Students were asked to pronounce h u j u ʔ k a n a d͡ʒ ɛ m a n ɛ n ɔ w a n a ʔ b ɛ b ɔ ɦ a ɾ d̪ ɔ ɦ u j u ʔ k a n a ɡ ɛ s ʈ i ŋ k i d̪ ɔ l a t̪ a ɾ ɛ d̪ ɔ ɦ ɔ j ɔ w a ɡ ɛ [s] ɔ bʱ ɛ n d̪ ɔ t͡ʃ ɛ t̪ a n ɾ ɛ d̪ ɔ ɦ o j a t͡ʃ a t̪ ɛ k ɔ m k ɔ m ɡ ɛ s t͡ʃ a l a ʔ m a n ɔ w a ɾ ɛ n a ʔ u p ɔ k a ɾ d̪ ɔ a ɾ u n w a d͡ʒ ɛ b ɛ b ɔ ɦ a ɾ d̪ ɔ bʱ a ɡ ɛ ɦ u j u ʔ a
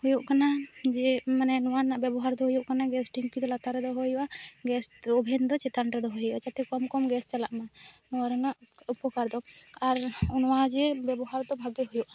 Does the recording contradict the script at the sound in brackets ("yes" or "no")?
no